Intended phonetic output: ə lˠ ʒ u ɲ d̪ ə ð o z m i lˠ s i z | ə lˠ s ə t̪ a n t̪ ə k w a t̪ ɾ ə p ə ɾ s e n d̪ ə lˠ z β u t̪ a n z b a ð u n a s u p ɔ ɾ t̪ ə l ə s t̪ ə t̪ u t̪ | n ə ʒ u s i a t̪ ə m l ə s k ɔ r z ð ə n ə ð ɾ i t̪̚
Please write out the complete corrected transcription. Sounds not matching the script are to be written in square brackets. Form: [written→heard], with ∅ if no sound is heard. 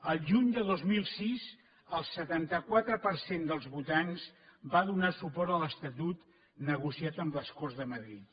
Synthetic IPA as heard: ə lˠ ʒ u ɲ d̪ ə ð o z m i lˠ s i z | ə lˠ s ə t̪ a n t̪ ə k w a t̪ ɾ ə p ə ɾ s e n d̪ ə lˠ z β u t̪ a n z b a ð u n a s u p ɔ ɾ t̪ ə l ə s t̪ ə t̪ u t̪ | n ə [ʒ→ɣ] u s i a t̪ ə m l ə s k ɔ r z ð ə [n→m] ə ð ɾ i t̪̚